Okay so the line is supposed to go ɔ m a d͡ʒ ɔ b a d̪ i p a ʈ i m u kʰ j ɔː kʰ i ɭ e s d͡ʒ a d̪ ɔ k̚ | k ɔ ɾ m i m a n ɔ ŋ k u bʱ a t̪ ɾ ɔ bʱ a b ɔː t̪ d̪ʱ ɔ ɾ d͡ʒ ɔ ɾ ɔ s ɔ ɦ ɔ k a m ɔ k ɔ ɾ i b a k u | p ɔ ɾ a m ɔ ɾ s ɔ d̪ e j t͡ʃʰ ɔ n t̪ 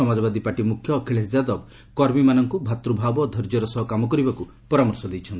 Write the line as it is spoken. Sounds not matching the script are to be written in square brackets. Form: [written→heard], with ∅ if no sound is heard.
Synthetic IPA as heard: ɔ m a d͡ʒ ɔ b a d̪ i p a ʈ i m u kʰ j ɔː kʰ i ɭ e s d͡ʒ a d̪ ɔ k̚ | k ɔ ɾ m i m a n ɔ ŋ k u bʱ a t̪ ɾ [ɔ→u] bʱ a b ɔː [t̪→∅] d̪ʱ ɔ ɾ d͡ʒ ɔ ɾ ɔ s ɔ ɦ ɔ k a m ɔ k ɔ ɾ i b a k u | p ɔ ɾ a m ɔ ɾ s ɔ d̪ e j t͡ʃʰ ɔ n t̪